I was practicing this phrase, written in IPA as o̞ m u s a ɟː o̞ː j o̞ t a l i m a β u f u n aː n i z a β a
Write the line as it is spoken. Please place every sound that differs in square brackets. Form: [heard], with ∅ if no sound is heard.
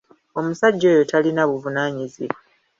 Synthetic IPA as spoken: o̞ m u s a ɟː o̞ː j o̞ t a l i [n] a β u [v] u n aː [ɲ] i z [i] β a